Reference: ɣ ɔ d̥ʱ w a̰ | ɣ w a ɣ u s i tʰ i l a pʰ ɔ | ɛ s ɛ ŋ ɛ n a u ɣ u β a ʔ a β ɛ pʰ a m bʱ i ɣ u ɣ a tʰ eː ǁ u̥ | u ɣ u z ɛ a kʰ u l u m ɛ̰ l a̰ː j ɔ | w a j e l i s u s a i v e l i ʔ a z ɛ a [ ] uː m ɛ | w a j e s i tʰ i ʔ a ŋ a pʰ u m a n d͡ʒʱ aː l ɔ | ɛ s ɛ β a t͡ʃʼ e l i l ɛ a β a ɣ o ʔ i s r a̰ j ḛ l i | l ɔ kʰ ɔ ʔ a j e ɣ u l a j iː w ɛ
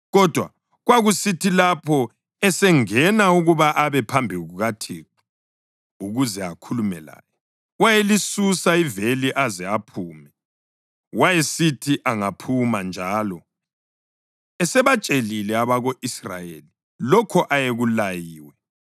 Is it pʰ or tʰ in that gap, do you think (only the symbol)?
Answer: pʰ